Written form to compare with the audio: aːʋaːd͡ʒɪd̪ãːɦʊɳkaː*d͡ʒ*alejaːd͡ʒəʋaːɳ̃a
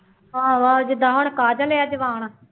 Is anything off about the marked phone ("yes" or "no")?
no